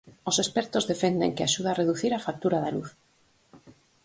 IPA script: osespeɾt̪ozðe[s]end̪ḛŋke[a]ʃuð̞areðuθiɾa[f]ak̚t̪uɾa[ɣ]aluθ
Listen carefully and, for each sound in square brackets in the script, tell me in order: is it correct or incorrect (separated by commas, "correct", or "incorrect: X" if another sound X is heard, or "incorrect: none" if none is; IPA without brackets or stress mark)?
incorrect: f, correct, correct, incorrect: ð